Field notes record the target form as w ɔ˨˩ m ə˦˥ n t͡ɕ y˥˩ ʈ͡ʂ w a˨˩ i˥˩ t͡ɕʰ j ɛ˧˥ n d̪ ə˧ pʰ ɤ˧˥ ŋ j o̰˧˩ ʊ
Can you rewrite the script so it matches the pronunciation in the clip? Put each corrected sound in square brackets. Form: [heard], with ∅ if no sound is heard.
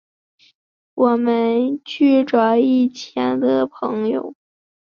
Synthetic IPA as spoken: w ɔ˨˩ m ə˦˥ n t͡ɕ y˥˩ ʈ͡ʂ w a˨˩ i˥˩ t͡ɕʰ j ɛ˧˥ n d̪ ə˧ pʰ ɤ˧˥ ŋ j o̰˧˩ ʊ